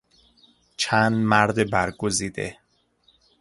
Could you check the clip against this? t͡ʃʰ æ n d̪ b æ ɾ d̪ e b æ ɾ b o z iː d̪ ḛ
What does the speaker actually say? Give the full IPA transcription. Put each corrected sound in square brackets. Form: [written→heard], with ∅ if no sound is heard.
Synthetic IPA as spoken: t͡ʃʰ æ n d̪ [b→m] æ ɾ d̪ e b æ ɾ [b→ɡ] o z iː d̪ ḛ